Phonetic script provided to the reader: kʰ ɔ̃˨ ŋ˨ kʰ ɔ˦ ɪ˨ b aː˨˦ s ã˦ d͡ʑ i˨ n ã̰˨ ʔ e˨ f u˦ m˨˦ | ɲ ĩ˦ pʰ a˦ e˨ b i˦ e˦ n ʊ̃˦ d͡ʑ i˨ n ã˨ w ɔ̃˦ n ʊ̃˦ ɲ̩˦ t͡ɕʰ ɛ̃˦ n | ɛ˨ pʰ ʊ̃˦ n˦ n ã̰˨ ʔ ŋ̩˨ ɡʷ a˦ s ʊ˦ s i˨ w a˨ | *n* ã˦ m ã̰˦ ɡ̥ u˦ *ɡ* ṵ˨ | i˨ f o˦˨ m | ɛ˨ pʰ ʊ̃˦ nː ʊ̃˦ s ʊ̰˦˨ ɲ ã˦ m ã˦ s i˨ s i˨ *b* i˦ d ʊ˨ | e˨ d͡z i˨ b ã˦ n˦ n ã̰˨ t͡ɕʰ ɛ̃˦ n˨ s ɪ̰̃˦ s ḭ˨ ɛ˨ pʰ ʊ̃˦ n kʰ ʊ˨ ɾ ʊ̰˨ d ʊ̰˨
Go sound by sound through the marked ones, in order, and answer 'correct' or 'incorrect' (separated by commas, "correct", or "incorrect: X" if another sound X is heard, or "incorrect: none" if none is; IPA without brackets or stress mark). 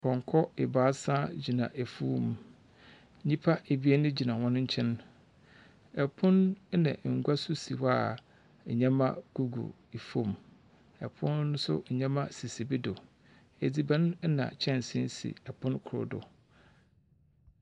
incorrect: ɲ, correct, correct